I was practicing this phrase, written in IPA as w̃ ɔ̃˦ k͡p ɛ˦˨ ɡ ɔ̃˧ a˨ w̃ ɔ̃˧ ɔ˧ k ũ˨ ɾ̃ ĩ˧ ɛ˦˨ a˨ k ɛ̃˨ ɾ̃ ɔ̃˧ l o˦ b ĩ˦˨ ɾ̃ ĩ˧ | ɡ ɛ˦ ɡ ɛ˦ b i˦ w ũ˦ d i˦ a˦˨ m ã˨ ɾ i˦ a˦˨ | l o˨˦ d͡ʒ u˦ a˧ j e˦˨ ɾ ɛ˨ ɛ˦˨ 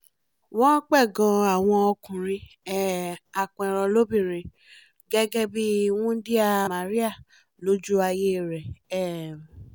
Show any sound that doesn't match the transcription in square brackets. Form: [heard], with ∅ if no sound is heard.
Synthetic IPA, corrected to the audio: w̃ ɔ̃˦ k͡p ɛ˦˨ ɡ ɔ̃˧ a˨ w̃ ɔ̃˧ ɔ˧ k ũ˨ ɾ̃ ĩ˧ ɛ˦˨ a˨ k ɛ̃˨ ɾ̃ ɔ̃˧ l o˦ b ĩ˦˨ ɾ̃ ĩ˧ | ɡ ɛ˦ ɡ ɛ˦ b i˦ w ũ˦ d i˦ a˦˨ m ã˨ ɾ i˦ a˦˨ | l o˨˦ d͡ʒ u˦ a˧ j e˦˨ ɾ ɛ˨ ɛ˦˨